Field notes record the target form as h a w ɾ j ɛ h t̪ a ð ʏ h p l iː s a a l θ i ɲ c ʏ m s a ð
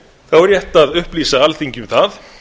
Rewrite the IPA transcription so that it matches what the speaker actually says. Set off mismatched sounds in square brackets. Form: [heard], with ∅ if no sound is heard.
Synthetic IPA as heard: [θ] a w ɾ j ɛ h t̪ a ð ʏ h p l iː s a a l θ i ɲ c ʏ m [θ] a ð